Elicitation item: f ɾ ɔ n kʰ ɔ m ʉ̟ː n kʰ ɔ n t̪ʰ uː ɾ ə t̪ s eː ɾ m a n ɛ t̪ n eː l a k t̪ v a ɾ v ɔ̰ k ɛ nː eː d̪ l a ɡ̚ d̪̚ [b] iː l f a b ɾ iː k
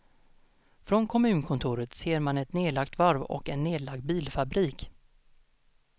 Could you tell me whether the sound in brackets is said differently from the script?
no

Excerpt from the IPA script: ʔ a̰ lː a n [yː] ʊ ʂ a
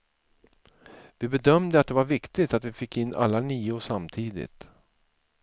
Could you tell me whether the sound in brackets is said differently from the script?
yes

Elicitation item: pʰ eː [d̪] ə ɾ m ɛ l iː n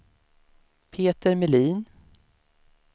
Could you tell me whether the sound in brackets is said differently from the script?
yes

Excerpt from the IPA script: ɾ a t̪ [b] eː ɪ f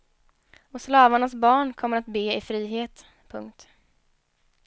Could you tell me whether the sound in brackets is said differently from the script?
no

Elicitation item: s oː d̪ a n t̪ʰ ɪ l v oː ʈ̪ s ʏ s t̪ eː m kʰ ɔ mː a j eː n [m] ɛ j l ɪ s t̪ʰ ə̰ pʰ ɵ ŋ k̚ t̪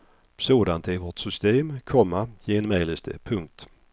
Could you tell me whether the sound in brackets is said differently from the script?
no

